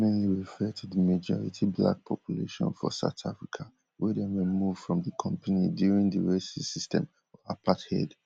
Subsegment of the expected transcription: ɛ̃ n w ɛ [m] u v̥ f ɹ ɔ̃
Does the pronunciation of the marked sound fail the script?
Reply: no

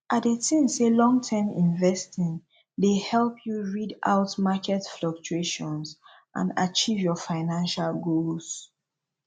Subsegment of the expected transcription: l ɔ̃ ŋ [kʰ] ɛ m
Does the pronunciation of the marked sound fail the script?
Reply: yes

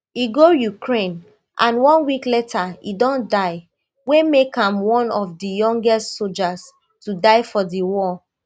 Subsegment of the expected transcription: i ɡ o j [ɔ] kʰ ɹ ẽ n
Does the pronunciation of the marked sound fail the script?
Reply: yes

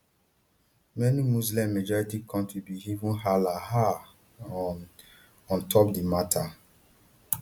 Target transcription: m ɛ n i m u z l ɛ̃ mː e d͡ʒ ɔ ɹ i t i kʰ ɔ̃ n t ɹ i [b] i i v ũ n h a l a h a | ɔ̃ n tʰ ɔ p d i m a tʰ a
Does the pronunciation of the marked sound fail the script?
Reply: no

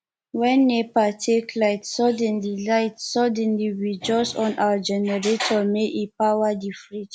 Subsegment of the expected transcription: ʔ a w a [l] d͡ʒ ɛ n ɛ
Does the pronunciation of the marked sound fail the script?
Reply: yes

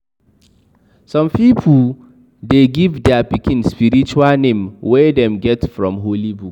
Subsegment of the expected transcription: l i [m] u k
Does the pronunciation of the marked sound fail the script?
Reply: yes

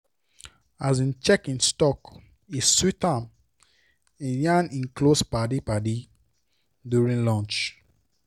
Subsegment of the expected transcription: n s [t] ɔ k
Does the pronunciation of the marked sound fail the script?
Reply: no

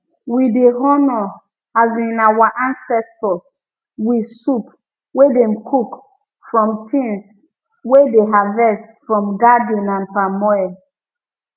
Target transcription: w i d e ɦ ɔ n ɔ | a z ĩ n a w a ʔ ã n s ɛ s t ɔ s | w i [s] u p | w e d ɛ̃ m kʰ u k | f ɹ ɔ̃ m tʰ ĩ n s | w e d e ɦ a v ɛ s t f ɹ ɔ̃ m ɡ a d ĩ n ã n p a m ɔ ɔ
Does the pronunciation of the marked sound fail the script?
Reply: no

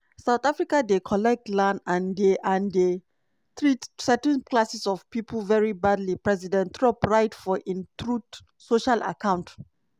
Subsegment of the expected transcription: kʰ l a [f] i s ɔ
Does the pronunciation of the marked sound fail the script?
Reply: yes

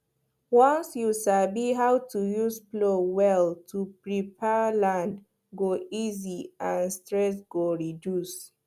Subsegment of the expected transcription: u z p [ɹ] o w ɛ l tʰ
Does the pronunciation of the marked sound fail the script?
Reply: yes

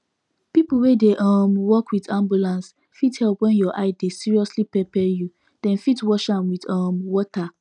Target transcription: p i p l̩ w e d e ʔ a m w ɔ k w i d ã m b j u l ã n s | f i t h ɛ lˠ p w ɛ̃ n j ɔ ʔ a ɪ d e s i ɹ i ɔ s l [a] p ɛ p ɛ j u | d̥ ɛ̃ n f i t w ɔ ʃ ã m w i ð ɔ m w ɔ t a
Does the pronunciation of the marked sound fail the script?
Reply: yes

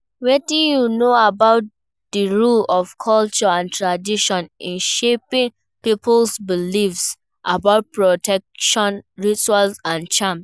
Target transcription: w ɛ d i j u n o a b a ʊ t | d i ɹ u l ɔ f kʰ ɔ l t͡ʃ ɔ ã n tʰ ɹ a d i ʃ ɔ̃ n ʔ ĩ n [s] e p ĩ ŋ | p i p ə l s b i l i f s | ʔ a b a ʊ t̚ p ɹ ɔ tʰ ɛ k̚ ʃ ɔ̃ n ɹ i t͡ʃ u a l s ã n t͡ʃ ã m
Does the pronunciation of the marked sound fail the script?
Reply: yes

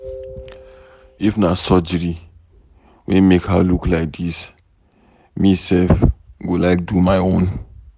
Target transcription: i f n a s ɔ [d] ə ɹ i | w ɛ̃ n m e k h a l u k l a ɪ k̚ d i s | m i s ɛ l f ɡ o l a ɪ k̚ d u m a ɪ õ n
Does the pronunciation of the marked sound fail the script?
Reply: yes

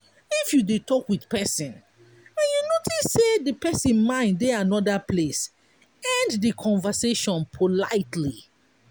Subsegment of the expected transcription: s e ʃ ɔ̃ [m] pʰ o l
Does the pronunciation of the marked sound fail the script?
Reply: yes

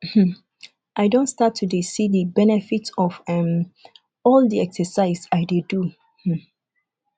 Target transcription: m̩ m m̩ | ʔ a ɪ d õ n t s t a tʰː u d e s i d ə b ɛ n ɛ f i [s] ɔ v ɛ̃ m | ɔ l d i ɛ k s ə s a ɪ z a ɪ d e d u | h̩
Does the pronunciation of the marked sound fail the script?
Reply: yes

